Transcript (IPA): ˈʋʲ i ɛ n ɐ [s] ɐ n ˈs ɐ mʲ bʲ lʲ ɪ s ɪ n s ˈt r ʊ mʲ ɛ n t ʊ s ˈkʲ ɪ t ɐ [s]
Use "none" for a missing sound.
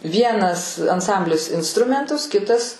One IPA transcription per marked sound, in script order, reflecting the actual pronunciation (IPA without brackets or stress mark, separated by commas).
s, s